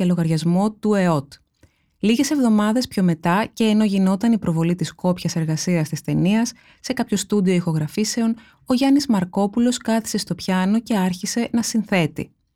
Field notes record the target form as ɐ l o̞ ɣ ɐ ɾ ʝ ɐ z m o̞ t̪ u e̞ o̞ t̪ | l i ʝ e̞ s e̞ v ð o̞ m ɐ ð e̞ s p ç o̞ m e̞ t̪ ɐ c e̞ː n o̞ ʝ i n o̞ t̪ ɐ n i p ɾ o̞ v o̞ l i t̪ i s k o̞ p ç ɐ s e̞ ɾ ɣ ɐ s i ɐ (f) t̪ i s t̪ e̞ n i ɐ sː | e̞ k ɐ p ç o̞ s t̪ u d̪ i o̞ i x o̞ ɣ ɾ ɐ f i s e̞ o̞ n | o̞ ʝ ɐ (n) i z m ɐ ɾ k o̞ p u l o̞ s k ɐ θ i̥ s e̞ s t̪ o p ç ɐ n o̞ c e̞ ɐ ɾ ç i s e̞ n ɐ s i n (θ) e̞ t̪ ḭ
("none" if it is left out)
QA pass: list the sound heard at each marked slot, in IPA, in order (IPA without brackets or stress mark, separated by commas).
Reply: s, n, θ